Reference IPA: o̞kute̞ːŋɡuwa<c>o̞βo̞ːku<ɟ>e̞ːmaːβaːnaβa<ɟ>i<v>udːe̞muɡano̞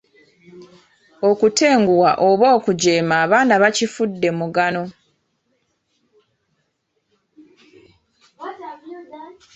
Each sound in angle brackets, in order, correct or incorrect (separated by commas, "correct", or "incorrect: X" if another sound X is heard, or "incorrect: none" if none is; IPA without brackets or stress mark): incorrect: ʔ, correct, incorrect: c, incorrect: f